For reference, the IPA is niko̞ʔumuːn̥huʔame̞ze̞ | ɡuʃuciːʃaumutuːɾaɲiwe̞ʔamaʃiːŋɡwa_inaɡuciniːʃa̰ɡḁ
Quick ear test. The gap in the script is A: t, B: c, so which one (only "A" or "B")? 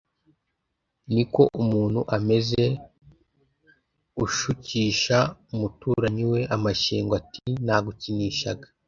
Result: A